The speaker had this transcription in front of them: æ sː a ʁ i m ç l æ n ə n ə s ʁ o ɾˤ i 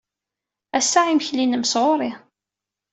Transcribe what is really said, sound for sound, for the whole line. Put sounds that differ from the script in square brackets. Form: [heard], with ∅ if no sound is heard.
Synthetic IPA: æ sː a [ʕ] i m ç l [i] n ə [m] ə s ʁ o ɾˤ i